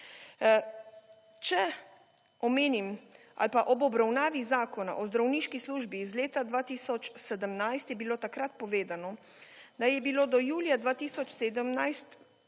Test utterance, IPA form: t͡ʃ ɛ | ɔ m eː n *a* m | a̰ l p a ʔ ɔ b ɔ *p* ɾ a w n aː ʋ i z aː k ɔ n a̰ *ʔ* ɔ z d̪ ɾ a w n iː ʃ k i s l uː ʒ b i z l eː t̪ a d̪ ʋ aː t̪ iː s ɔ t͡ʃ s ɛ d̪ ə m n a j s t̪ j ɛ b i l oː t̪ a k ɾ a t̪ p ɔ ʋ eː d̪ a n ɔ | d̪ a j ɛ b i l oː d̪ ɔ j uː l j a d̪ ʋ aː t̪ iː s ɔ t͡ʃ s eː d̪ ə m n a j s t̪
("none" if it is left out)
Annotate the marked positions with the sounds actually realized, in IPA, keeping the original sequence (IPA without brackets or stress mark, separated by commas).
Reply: i, b, ʔ